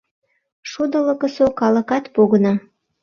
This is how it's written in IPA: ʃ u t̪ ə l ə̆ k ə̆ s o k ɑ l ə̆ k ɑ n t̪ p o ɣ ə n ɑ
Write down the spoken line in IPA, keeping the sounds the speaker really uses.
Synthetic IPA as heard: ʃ u d̪ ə l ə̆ k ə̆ s o k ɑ l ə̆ k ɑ t̪ p o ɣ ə n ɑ